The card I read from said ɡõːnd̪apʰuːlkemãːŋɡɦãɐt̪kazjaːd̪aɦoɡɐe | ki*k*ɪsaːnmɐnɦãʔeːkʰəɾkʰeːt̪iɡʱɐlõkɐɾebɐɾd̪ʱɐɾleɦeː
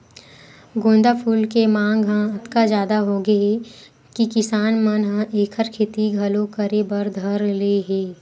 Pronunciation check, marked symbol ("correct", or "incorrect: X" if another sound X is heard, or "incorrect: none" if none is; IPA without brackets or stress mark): correct